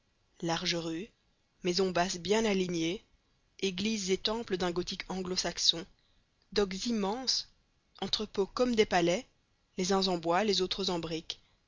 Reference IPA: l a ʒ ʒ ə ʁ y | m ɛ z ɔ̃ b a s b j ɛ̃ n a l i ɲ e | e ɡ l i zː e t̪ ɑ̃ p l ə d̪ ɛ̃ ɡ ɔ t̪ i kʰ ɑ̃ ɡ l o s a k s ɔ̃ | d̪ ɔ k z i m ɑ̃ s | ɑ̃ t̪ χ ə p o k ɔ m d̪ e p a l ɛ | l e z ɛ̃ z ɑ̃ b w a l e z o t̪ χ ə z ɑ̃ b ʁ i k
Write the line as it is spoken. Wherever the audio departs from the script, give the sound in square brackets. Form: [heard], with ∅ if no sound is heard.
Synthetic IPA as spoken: l a [ʁ] ʒ ə ʁ y | m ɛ z ɔ̃ b a s b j ɛ̃ n a l i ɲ e | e ɡ l i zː e t̪ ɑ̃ p l ə d̪ ɛ̃ ɡ ɔ t̪ i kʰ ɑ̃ ɡ l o s a k s ɔ̃ | d̪ ɔ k z i m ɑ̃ s | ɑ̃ t̪ χ ə p o k ɔ m d̪ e p a l ɛ | l e z ɛ̃ z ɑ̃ b w a l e z o t̪ χ ə z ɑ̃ b ʁ i k